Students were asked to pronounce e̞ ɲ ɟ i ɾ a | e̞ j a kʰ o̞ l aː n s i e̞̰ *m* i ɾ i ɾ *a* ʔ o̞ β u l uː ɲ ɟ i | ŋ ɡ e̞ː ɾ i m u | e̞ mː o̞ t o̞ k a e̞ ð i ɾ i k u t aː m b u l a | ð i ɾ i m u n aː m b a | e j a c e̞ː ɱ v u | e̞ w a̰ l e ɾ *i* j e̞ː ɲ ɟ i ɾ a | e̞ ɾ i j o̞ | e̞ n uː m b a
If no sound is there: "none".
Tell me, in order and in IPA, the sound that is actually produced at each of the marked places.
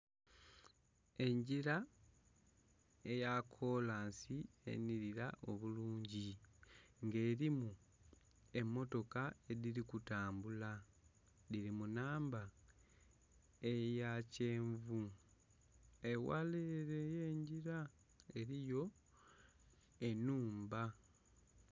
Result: n, a, e

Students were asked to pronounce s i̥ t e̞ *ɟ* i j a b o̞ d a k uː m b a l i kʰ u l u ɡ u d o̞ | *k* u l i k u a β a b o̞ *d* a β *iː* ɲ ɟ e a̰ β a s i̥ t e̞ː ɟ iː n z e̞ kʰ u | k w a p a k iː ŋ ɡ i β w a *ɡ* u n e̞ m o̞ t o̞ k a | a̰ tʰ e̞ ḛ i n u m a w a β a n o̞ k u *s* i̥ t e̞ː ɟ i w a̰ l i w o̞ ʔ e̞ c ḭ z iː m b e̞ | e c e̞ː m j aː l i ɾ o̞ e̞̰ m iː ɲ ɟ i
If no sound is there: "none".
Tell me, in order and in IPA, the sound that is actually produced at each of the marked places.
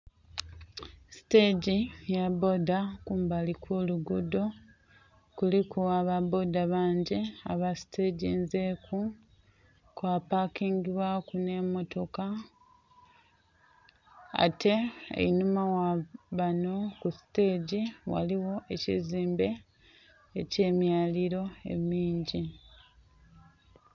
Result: ɟ, k, d, aː, k, s

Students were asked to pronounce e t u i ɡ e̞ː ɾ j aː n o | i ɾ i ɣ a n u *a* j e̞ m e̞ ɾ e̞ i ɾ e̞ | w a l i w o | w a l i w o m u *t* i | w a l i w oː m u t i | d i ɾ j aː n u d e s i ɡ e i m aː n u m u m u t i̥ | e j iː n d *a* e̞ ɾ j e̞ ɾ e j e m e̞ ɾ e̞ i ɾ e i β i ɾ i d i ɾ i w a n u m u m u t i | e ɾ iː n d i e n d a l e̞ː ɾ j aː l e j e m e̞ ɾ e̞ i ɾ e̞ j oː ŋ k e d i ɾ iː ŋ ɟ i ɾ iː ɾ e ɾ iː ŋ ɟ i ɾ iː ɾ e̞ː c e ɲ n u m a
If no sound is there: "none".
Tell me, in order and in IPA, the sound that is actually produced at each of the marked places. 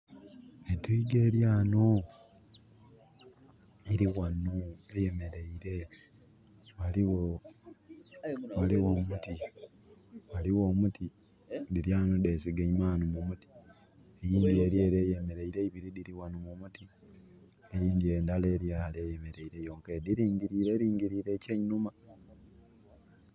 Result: e, t, i

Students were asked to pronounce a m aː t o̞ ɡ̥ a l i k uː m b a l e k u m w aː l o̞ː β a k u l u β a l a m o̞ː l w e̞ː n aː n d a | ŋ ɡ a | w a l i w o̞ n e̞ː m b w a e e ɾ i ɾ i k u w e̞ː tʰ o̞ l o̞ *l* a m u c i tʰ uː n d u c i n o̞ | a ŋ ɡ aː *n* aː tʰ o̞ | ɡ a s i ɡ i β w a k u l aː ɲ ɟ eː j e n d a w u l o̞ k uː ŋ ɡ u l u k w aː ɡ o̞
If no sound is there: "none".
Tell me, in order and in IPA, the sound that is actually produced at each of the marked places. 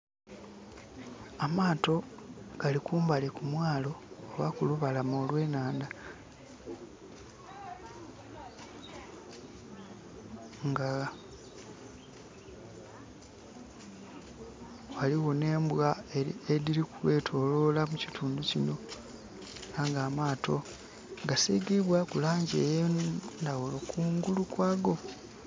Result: l, m

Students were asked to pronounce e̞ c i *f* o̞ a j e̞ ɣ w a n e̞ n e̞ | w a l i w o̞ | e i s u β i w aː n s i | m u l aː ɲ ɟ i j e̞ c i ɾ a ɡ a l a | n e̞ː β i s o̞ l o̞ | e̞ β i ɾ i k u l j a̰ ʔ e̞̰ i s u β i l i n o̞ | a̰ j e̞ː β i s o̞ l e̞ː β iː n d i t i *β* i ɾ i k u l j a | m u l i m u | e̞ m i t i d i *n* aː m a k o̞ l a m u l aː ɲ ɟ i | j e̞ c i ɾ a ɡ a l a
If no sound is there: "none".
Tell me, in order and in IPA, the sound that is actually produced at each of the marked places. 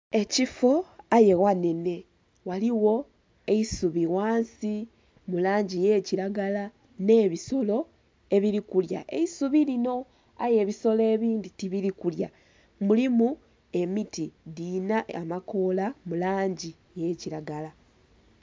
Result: f, β, n

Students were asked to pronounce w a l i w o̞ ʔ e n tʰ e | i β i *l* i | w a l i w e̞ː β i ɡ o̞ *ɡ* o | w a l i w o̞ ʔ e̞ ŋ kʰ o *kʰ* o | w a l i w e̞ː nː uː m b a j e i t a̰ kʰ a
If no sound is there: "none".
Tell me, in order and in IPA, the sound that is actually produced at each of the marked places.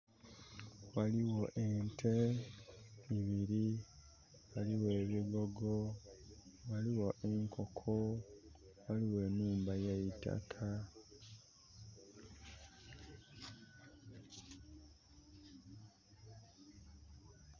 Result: ɾ, ɡ, kʰ

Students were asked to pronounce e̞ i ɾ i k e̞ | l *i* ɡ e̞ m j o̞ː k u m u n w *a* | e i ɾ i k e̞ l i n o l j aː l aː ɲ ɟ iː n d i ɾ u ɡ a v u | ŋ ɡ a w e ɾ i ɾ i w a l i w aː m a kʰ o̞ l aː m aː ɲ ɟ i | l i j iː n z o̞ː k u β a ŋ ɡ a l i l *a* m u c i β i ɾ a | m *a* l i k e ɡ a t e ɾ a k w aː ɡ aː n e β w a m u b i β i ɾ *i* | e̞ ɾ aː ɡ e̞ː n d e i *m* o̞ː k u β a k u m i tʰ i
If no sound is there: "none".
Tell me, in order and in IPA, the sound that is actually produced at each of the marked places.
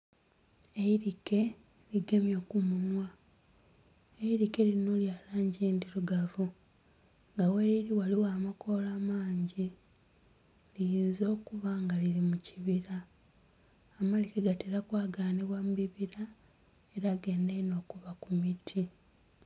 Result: i, a, i, a, a, n

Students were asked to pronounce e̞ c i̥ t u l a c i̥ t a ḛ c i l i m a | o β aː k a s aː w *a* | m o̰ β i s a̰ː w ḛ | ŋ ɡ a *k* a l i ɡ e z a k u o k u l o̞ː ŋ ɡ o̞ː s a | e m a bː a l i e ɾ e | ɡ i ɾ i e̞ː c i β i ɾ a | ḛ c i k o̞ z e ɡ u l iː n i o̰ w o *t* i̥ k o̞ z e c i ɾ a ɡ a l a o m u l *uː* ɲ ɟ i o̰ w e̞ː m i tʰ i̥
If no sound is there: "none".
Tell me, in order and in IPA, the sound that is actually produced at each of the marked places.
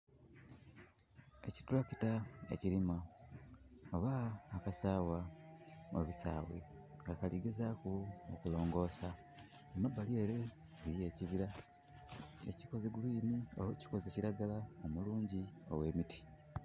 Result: a, k, c, uː

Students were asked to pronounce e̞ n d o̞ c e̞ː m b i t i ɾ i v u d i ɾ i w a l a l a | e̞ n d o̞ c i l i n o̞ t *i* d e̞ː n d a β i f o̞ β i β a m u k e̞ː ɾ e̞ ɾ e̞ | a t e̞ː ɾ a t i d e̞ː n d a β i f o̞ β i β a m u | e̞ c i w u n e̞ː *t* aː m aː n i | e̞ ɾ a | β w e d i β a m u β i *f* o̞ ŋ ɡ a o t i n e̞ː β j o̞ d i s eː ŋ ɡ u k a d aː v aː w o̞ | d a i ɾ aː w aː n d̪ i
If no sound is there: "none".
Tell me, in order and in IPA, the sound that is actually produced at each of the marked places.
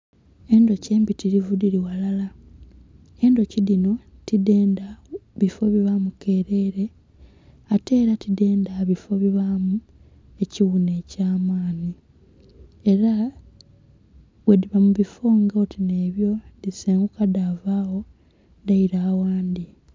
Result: i, c, f

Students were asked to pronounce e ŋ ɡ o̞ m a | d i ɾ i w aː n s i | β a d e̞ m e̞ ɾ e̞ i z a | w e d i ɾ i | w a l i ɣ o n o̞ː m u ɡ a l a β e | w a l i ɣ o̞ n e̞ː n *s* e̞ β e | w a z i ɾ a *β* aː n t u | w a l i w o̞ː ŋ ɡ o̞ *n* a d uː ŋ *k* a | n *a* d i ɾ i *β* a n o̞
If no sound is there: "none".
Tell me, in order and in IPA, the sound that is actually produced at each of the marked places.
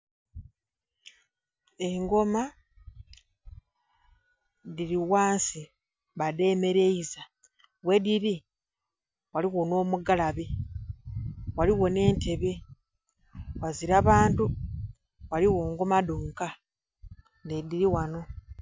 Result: t, β, m, k, e, w

